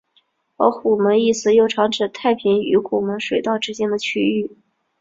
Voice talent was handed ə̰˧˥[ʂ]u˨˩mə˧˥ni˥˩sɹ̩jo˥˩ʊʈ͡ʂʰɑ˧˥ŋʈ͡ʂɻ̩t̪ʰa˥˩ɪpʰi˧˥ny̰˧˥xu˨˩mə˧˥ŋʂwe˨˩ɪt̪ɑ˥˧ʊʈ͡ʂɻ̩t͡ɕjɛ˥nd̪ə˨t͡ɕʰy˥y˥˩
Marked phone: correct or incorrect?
incorrect: x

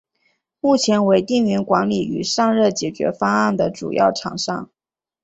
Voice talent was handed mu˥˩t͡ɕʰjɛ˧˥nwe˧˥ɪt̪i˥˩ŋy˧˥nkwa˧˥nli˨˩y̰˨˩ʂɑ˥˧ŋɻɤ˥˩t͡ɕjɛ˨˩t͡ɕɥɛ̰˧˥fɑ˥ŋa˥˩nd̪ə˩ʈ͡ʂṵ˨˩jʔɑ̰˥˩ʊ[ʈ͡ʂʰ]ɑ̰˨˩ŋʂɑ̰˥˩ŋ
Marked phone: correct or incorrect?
correct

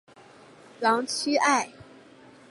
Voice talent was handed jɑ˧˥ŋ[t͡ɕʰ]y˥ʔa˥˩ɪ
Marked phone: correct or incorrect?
correct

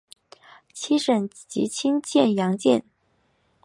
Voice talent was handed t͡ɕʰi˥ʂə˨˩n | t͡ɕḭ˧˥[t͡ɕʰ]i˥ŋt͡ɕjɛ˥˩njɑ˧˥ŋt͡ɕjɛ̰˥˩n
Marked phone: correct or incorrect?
correct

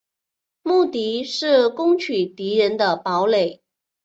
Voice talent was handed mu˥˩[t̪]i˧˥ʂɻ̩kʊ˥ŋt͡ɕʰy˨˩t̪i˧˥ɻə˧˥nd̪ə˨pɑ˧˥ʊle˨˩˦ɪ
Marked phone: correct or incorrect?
correct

